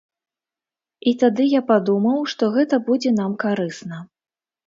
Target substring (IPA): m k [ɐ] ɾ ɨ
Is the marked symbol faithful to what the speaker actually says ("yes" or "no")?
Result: no